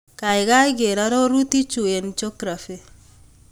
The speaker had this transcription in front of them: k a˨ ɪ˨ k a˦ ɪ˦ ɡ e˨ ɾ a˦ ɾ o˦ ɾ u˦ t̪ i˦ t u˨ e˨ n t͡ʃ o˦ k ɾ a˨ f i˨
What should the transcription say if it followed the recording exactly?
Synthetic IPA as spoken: k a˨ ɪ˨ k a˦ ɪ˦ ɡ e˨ ɾ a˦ ɾ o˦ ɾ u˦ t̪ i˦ t͡ʃ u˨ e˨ n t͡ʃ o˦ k ɾ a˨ f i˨